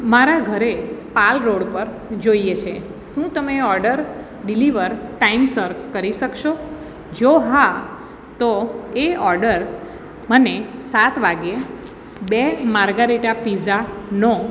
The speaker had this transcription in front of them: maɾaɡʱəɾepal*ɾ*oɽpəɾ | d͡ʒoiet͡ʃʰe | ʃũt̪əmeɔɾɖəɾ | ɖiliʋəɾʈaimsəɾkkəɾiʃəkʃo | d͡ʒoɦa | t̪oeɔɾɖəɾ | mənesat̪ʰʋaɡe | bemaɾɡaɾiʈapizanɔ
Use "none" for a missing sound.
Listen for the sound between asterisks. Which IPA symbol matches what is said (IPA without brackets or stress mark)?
ɾ